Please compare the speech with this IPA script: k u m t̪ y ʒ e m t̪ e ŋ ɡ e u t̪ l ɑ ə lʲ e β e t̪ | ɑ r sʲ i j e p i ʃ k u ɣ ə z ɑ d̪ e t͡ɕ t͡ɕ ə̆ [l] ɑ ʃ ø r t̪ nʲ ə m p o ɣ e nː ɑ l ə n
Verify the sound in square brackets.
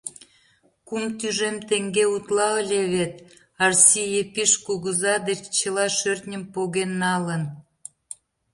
correct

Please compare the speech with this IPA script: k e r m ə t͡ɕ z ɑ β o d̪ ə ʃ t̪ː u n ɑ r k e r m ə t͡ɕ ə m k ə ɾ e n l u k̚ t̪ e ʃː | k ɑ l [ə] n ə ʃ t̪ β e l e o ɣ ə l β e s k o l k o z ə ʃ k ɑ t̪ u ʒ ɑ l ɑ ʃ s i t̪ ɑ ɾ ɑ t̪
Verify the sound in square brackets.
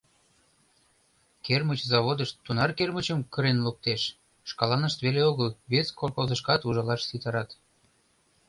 incorrect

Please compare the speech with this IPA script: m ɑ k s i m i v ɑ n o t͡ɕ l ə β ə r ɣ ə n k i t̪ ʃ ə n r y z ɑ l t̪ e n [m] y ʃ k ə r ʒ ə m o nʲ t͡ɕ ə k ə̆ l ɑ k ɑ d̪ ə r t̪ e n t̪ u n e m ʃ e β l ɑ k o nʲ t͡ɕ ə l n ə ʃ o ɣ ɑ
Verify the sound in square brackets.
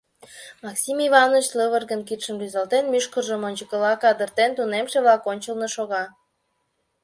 correct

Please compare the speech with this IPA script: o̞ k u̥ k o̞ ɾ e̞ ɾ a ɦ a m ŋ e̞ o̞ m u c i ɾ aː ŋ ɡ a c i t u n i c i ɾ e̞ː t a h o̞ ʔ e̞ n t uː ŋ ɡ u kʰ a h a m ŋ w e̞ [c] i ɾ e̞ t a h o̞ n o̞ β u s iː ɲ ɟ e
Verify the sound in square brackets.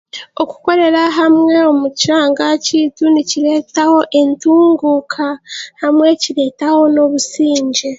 correct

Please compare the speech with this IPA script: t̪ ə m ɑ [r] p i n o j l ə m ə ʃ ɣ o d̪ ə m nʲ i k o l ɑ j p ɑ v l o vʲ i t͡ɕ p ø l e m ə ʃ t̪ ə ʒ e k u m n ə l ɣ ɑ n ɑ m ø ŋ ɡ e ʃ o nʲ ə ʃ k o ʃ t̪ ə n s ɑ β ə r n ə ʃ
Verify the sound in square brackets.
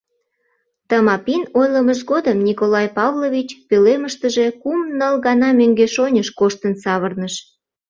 incorrect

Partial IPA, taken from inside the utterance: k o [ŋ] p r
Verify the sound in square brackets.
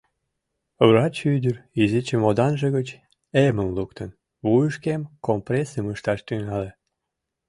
incorrect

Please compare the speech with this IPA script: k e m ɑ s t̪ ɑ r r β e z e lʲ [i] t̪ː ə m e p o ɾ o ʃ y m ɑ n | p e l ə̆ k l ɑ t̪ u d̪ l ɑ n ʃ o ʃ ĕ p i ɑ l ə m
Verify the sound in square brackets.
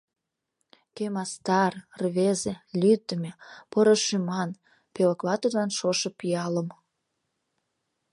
incorrect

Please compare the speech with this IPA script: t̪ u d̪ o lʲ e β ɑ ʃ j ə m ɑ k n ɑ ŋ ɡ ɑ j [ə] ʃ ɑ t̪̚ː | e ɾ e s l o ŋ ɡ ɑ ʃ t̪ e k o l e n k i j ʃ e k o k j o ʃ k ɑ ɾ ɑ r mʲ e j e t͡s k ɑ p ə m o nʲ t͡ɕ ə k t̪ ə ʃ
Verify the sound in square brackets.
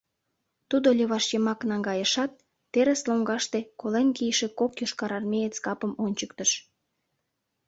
correct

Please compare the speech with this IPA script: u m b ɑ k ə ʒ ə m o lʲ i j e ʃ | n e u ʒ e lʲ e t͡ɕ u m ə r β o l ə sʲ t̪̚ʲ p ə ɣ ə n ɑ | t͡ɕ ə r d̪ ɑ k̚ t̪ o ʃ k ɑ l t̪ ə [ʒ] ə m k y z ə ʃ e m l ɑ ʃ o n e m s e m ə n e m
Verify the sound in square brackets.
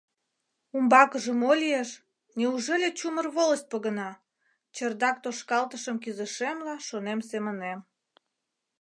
incorrect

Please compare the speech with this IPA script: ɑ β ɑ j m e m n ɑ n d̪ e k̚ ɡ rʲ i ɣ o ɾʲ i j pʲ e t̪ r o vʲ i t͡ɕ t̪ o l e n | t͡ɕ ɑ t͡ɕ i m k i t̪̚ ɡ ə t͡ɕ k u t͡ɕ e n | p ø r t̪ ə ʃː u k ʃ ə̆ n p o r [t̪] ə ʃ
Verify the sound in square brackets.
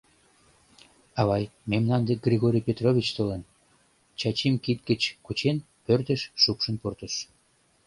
correct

